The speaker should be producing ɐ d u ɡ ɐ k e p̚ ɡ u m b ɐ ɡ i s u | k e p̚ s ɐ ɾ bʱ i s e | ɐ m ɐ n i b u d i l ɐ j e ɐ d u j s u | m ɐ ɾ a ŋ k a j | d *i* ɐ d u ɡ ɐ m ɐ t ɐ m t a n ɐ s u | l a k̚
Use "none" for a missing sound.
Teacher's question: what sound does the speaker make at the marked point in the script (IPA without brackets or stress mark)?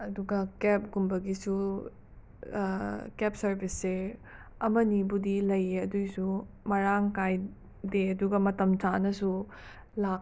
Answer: e